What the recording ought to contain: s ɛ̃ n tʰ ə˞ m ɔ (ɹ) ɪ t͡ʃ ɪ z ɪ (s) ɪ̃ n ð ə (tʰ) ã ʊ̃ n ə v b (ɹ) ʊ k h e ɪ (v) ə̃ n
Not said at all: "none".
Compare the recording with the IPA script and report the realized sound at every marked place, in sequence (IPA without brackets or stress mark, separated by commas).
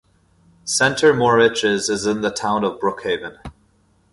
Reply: ɹ, z, tʰ, ɹ, v